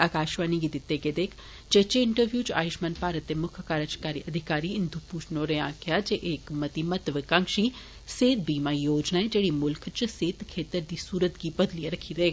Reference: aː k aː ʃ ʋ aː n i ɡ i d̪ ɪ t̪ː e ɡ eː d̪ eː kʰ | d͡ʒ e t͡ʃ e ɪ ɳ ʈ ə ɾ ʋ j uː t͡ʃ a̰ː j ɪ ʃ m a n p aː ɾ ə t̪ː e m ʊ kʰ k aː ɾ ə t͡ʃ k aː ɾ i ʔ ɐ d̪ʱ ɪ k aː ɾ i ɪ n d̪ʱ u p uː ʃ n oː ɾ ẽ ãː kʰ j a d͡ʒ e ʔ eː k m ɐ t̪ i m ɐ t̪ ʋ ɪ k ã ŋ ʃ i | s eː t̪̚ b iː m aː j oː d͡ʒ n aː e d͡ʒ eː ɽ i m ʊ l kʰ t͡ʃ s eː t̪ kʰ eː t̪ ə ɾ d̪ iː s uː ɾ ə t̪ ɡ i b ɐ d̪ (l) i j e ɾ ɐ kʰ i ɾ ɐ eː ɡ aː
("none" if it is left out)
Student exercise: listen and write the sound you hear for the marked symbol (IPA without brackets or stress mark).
l